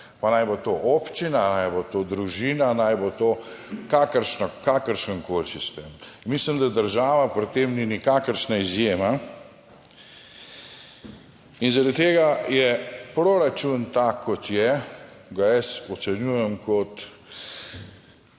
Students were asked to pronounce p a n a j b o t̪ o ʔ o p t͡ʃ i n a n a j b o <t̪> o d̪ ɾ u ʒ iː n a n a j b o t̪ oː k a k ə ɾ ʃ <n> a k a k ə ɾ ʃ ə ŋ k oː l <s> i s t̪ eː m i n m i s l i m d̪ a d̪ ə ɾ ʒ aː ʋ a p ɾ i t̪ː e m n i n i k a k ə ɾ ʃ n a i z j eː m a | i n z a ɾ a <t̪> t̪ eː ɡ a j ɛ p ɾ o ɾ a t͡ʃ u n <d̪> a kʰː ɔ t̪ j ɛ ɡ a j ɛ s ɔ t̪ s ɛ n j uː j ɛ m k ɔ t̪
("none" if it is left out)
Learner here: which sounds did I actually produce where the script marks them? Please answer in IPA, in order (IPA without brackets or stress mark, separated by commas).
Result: t̪, n, s, d̪, t̪